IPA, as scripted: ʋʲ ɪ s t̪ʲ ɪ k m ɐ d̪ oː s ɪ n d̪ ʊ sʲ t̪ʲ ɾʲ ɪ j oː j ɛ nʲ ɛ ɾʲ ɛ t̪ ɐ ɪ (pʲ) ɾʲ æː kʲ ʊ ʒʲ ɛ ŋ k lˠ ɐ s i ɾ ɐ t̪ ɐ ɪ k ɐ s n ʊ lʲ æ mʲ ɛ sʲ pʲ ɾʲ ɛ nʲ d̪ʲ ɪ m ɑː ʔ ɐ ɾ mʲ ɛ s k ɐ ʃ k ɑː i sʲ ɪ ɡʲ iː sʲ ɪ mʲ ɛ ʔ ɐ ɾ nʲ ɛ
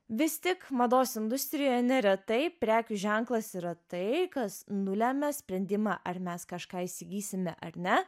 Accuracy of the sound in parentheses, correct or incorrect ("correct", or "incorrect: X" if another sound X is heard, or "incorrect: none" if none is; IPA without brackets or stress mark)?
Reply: correct